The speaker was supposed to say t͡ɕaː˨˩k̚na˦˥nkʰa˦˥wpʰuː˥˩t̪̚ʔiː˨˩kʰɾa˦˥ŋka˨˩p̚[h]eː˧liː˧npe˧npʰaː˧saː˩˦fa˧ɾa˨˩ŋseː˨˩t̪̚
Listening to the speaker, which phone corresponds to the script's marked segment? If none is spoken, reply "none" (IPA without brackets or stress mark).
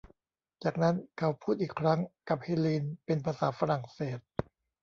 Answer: h